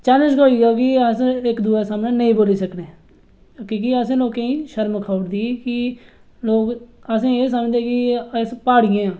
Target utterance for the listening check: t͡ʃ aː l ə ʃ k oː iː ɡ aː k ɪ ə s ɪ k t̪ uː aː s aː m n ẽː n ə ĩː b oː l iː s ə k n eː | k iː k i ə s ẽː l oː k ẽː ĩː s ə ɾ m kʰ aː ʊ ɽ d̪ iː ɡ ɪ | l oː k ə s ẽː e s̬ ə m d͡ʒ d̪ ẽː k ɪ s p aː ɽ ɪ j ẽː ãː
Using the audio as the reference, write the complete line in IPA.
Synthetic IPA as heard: t͡ʃ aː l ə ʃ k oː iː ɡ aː k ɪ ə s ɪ k d̪ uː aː s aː m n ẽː n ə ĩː b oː l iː s ə k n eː | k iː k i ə s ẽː l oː k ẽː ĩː ʃ ə ɾ m kʰ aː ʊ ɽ d̪ iː k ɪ | l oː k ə s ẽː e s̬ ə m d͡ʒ d̪ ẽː k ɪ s p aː ɽ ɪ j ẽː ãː